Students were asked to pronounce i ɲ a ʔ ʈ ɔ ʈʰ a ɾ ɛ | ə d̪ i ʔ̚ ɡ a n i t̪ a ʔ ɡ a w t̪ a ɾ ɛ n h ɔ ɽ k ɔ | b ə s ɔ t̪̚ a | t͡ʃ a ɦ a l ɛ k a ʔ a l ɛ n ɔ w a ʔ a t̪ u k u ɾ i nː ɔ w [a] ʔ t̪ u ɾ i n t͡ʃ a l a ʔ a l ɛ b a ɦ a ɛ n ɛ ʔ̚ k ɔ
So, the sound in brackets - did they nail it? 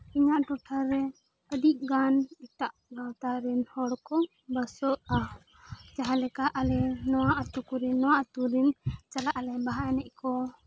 yes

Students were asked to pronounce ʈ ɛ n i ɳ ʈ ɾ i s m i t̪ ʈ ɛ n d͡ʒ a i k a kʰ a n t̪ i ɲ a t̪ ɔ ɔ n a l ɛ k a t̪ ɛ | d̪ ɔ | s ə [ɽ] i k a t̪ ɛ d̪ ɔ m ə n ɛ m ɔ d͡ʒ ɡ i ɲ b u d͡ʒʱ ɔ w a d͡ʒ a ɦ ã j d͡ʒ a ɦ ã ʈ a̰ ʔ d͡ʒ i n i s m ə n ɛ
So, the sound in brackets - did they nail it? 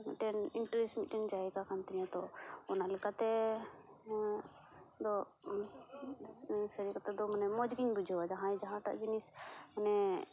no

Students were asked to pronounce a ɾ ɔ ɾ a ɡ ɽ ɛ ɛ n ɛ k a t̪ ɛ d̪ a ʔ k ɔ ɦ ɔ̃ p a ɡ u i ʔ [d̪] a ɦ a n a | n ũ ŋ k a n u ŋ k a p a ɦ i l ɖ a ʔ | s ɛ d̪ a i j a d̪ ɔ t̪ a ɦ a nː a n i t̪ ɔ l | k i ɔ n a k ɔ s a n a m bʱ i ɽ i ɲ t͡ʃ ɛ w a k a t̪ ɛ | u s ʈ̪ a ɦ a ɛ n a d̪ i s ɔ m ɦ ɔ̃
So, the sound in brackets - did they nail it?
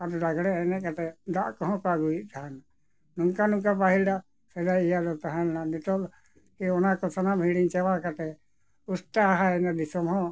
no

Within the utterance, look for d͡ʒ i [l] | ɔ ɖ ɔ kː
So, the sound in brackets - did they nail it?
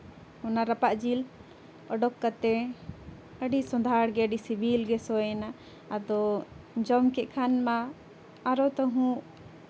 yes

